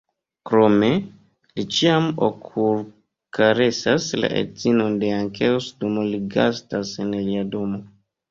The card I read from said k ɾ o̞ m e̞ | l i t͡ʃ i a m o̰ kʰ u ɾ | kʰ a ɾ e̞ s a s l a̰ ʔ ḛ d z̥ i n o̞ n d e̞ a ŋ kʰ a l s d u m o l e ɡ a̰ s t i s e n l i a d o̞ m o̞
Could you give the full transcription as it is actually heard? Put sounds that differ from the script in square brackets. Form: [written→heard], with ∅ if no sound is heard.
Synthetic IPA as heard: k ɾ o̞ m e̞ | l i t͡ʃ i a m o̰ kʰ u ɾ | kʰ a ɾ e̞ s a s l a̰ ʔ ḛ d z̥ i n o̞ n d e̞ a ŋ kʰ [a→e] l s d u m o l [e→i] ɡ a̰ s t [i→a] s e n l i a d o̞ m o̞